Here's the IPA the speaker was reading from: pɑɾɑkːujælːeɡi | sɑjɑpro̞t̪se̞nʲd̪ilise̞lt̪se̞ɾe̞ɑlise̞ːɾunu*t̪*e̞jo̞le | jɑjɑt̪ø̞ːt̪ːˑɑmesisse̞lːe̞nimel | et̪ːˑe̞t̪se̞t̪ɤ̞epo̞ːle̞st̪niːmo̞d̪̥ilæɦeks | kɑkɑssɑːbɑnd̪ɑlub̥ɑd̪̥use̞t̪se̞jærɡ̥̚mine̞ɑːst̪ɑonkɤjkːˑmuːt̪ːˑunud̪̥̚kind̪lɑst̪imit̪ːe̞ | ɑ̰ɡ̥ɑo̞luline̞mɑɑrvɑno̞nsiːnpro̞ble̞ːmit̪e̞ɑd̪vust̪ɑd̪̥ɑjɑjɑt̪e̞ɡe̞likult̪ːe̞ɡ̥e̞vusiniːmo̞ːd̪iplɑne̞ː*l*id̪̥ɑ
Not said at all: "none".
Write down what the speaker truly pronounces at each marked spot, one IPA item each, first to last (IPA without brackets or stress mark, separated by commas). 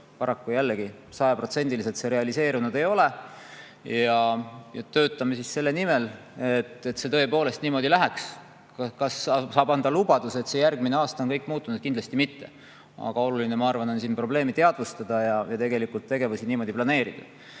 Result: d̪, ɾ